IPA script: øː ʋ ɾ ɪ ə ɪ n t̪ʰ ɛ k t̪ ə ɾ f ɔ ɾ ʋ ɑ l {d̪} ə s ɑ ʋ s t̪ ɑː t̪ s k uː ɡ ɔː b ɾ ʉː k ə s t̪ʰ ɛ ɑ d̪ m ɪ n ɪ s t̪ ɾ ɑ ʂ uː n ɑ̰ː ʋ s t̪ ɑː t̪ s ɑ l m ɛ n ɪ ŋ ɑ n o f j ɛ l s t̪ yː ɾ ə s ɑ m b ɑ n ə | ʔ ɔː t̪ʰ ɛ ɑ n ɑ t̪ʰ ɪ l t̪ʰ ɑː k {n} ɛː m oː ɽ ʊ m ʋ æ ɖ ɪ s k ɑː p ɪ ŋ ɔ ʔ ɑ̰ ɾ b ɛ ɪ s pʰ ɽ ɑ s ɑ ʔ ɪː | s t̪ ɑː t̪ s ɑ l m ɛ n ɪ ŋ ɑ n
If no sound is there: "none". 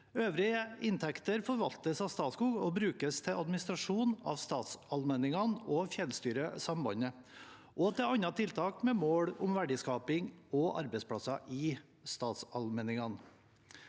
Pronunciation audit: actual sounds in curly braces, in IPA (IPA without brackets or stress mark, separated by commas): t̪, m